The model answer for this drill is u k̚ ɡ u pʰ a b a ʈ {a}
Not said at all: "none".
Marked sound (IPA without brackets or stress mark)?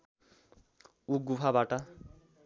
a